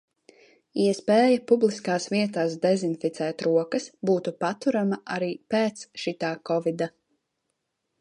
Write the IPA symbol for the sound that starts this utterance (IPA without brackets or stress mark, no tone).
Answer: i